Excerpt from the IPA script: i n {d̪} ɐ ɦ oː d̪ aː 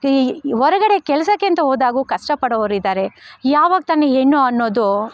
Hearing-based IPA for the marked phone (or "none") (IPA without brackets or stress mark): t̪